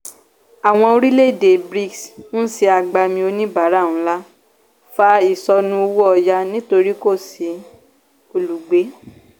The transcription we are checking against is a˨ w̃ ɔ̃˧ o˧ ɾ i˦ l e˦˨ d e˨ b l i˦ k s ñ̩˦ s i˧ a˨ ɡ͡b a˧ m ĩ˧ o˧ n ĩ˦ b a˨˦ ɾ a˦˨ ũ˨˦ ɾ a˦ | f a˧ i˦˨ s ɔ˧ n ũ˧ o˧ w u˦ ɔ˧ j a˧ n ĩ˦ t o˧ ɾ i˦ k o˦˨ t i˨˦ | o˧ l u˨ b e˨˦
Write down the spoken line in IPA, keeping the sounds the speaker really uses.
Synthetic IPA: a˨ w̃ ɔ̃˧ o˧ ɾ i˦ l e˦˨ d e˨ b ɾ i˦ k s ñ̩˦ s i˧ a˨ ɡ͡b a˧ m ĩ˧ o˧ n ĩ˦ b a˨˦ ɾ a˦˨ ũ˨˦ l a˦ | f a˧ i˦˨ s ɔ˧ n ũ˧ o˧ w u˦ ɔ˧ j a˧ n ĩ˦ t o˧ ɾ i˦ k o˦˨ s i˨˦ | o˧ l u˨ ɡ͡b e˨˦